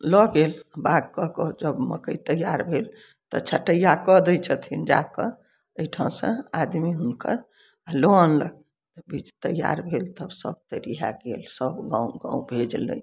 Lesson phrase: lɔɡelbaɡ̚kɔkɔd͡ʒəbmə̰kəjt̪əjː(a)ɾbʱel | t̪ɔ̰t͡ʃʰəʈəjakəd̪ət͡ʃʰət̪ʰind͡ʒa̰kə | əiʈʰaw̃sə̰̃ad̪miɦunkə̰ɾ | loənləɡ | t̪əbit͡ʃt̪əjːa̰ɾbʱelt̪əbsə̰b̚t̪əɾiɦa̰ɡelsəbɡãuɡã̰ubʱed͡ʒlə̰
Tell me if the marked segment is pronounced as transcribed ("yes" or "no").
yes